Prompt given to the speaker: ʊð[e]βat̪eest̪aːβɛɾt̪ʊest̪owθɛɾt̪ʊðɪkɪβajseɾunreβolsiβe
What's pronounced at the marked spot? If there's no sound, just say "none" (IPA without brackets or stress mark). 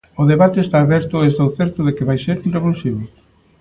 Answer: e